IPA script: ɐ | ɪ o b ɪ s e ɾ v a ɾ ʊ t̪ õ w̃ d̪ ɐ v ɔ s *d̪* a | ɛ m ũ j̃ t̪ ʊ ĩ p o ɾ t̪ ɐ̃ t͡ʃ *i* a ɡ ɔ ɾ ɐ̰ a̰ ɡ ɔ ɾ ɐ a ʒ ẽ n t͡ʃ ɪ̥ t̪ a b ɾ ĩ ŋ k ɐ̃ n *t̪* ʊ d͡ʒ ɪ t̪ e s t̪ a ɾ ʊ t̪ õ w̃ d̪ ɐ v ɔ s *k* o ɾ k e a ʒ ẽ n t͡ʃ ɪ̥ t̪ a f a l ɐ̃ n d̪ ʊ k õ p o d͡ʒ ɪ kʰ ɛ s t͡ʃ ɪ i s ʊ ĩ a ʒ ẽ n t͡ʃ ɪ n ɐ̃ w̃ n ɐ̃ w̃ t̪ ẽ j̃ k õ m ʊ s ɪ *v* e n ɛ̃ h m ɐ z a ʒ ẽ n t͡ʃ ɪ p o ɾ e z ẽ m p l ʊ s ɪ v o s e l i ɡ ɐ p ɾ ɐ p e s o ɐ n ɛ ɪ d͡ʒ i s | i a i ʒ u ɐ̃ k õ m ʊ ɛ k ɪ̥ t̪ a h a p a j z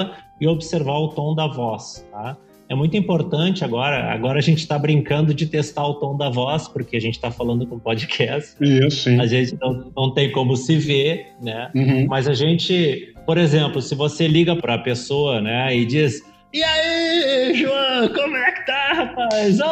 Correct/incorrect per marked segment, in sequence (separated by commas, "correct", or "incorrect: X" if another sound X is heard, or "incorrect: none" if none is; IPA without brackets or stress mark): incorrect: t̪, incorrect: ɪ, incorrect: d̪, incorrect: p, correct